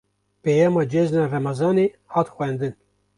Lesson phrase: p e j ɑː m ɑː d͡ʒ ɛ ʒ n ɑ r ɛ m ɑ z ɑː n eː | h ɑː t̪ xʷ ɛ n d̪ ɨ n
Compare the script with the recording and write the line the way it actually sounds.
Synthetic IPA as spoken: p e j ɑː m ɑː d͡ʒ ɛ z n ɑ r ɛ m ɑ z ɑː n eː | h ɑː t̪ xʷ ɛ n d̪ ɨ n